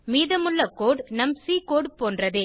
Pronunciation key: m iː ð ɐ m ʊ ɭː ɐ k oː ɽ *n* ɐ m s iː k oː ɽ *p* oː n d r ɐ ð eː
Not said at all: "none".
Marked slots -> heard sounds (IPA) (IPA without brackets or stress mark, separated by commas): n, p